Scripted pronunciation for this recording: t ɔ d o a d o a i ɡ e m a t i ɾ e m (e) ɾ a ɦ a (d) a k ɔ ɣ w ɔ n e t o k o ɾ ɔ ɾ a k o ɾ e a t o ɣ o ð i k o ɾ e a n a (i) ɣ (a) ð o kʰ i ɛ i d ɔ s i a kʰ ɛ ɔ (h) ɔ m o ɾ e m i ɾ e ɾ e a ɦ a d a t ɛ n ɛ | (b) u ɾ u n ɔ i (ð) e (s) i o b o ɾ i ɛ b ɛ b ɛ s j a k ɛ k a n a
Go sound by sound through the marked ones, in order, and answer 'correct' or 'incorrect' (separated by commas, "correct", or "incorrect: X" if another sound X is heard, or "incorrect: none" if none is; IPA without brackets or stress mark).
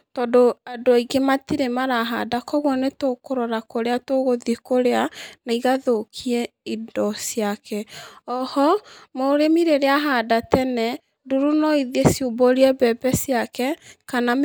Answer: incorrect: a, correct, correct, correct, correct, incorrect: d, correct, correct